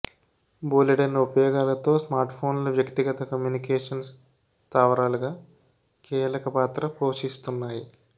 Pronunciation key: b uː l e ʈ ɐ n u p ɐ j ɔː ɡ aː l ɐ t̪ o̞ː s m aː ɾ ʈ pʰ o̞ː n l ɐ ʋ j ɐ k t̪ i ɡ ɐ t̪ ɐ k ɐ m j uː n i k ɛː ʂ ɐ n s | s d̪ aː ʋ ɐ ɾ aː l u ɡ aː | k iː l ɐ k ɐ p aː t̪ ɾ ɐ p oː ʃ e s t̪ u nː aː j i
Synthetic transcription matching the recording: b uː l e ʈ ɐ n u p ɐ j ɔː ɡ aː l ɐ t̪ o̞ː s m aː ɾ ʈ pʰ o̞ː n l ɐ ʋ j ɐ k t̪ i ɡ ɐ t̪ ɐ k ɐ m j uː n i k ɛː ʂ ɐ n s | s t̪ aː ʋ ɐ ɾ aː l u ɡ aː | k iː l ɐ k ɐ p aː t̪ ɾ ɐ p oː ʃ i s t̪ u nː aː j i